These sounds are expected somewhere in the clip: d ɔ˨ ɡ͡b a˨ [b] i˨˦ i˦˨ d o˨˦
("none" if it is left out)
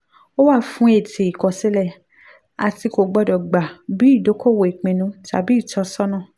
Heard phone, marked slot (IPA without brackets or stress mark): b